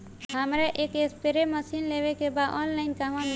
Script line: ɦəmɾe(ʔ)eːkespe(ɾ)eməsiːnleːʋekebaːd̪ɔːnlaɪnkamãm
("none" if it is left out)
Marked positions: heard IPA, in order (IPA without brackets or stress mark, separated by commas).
ʔ, ɾ